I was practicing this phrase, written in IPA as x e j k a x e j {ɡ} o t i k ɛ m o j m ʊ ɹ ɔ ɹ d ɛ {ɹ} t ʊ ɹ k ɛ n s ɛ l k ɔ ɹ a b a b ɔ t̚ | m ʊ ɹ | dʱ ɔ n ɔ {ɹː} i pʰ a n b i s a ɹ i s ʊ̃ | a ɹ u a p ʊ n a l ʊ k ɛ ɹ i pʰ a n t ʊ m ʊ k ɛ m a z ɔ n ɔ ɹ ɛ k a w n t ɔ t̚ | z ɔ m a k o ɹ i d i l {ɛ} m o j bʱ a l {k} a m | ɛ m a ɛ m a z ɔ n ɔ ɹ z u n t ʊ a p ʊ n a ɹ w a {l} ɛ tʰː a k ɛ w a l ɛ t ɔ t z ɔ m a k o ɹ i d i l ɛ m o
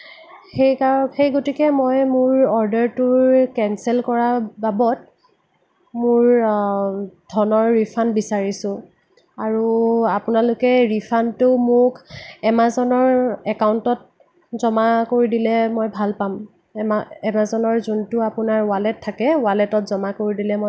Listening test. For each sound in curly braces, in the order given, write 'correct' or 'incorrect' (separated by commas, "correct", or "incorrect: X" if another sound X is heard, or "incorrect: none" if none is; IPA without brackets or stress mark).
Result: correct, correct, correct, correct, incorrect: p, correct